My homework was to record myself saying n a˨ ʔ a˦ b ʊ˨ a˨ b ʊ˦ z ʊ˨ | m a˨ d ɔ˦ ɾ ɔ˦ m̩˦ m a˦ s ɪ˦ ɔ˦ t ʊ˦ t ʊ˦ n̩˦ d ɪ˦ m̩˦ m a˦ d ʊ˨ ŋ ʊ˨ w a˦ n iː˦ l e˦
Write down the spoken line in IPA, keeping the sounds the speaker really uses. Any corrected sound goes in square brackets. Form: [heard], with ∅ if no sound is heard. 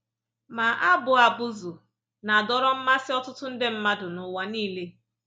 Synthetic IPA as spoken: [m] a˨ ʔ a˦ b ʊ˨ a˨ b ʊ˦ z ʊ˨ | [n] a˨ d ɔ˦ ɾ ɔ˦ m̩˦ m a˦ s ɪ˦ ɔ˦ t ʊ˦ t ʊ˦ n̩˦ d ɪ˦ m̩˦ m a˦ d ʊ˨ [n] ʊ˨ w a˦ n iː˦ l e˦